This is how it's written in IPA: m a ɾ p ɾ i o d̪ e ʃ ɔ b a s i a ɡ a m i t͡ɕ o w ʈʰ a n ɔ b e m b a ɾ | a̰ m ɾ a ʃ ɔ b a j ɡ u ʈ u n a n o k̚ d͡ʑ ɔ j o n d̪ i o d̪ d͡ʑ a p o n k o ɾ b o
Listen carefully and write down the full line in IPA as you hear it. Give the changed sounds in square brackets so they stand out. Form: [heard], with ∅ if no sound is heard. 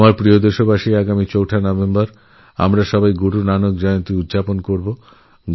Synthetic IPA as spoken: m a ɾ p ɾ i o d̪ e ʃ [o] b a [ʃ] i a ɡ a m i t͡ɕ o w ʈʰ a n ɔ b e m b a ɾ | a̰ m ɾ a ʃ ɔ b a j ɡ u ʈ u n a n o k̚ d͡ʑ ɔ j o n [t̪] i [u] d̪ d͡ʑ a p o n k o ɾ b o